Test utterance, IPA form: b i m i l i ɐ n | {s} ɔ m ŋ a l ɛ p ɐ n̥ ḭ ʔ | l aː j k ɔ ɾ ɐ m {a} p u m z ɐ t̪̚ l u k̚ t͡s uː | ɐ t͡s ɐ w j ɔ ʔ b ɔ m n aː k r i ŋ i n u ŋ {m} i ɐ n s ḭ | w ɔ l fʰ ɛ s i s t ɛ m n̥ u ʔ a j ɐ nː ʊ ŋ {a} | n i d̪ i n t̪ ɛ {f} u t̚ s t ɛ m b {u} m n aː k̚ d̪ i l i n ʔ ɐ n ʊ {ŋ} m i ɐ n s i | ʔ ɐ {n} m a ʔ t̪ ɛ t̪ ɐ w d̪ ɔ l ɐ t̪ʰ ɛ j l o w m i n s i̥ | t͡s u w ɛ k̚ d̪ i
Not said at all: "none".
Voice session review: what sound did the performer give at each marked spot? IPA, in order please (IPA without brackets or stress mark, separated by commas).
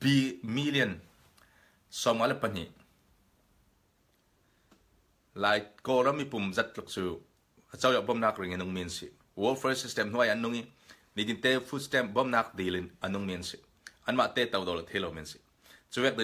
s, i, m, i, f, ɔ, ŋ, n